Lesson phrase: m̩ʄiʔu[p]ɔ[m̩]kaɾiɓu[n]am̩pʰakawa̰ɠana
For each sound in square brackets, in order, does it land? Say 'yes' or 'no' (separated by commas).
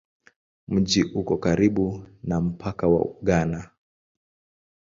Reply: no, no, yes